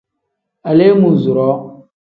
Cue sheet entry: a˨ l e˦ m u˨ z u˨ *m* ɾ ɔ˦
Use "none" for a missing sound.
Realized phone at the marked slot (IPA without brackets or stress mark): none